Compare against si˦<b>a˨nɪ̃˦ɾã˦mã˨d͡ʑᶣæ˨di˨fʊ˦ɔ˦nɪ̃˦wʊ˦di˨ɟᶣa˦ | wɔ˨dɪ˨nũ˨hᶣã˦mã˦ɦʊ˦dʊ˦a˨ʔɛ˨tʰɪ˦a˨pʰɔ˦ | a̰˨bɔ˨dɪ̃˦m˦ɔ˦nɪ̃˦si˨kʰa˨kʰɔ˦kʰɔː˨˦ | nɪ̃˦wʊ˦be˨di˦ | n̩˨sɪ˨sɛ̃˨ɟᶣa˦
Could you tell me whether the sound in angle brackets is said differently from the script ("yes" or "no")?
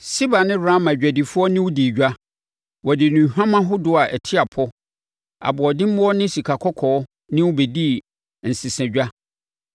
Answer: no